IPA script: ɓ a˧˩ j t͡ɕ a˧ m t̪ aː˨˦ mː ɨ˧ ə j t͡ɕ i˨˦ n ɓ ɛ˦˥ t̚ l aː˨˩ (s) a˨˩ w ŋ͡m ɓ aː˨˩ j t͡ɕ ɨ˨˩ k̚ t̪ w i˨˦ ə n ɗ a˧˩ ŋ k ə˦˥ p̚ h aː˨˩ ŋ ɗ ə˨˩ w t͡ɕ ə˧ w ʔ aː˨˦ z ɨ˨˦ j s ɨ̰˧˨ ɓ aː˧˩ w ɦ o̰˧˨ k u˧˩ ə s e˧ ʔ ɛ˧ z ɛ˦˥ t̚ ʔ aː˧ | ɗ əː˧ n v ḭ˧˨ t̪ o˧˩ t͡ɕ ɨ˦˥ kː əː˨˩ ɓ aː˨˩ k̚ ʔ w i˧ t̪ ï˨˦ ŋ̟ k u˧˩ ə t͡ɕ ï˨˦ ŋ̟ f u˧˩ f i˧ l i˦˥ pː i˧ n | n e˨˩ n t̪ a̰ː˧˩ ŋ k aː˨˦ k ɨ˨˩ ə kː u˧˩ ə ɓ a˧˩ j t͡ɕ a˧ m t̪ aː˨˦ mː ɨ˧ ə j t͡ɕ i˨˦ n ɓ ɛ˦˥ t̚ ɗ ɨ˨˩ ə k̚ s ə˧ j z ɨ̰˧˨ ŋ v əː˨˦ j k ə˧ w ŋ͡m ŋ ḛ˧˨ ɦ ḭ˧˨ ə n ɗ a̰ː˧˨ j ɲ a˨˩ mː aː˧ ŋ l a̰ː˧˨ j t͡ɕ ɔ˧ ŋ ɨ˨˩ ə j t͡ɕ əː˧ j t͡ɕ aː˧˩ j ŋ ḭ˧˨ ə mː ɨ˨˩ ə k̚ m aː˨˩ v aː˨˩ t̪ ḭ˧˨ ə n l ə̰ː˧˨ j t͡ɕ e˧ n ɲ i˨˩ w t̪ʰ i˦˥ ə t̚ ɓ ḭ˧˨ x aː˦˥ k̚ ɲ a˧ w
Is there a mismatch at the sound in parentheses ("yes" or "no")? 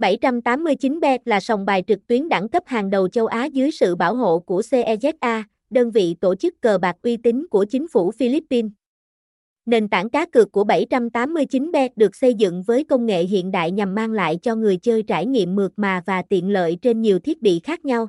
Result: no